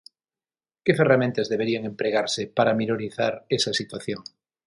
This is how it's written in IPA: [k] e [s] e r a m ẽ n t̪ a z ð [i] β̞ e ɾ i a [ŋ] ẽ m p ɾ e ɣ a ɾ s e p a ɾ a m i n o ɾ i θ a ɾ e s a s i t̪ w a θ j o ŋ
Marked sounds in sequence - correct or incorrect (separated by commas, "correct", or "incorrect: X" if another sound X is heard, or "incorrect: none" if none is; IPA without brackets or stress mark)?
correct, incorrect: f, incorrect: e, correct